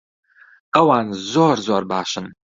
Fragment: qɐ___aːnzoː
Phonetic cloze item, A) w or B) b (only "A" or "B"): A